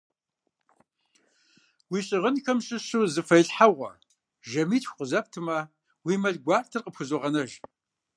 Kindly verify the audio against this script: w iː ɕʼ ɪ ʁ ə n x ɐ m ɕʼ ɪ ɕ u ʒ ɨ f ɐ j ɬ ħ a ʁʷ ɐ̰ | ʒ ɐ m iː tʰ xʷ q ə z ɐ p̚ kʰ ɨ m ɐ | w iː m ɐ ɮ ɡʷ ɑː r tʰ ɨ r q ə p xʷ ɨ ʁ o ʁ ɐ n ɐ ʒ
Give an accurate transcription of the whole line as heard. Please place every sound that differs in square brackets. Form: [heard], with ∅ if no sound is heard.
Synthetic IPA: w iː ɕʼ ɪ ʁ ə n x ɐ m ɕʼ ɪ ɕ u [z] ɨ f ɐ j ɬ ħ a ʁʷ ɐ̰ | ʒ ɐ m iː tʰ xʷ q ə z ɐ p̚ [tʰ] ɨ m ɐ | w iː m ɐ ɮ ɡʷ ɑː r tʰ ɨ r q ə p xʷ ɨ [z] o ʁ ɐ n ɐ ʒ